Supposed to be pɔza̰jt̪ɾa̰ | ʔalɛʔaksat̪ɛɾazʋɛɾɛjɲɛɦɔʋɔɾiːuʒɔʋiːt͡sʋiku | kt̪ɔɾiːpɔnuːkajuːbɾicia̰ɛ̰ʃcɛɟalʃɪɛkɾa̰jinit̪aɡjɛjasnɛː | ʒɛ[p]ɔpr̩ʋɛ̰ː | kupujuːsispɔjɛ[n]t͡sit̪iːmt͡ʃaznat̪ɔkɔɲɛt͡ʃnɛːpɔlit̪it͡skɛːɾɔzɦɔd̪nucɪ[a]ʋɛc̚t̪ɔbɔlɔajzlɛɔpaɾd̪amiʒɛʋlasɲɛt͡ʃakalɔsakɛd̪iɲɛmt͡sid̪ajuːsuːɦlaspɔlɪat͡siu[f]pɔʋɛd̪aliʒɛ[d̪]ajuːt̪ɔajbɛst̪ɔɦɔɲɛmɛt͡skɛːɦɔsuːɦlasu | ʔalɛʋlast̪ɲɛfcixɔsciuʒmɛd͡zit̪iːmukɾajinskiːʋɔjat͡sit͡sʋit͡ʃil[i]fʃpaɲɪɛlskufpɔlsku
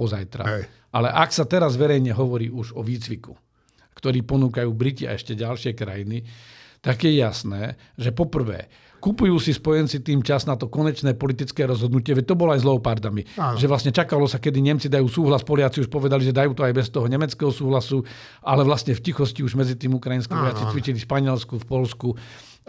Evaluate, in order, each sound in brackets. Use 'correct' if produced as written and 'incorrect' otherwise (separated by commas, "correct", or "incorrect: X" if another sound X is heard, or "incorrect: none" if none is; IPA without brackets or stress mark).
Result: correct, correct, incorrect: ɛ, incorrect: ʃ, correct, correct